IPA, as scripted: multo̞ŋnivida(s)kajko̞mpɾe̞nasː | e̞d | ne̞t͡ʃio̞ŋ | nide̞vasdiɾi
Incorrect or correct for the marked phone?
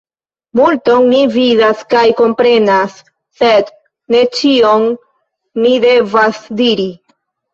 correct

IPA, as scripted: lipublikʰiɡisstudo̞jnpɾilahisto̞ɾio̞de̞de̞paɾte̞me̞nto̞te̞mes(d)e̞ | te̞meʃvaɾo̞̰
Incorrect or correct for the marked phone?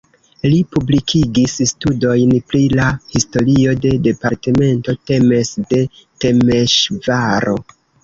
correct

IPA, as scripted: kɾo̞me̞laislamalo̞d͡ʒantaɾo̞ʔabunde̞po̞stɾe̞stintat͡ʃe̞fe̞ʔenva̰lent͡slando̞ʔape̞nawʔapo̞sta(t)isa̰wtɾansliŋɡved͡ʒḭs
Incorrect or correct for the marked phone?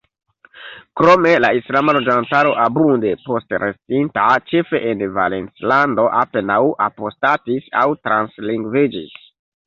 correct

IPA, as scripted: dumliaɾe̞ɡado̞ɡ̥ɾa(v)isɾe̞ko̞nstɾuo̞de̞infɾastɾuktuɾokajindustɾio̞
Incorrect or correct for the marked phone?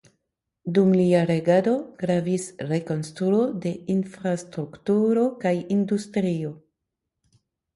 correct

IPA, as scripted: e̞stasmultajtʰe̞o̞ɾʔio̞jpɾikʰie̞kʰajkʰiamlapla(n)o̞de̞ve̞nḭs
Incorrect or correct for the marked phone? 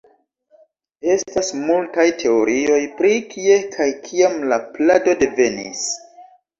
incorrect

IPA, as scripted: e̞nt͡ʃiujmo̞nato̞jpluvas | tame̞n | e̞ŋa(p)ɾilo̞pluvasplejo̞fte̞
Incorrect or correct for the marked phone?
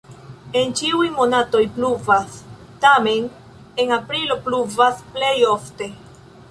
correct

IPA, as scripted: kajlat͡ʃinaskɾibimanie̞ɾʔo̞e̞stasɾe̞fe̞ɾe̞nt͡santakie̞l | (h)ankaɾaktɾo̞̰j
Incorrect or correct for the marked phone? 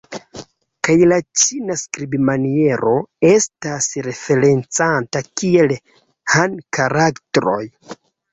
correct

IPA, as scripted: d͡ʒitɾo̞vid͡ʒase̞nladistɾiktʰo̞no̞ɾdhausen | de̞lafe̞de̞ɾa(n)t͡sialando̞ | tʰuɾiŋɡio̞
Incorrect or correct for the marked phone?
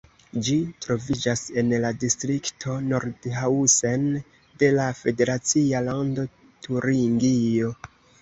incorrect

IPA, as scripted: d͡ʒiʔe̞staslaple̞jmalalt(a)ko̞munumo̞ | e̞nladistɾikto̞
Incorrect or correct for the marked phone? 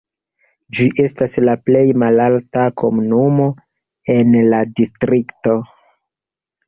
correct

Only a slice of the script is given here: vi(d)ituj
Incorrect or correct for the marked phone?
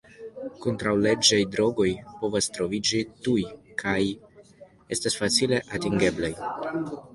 incorrect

